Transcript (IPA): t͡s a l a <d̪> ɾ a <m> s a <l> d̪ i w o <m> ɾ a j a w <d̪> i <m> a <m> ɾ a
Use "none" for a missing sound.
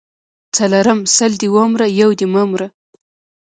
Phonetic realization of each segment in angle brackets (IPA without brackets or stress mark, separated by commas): none, m, l, m, d̪, m, m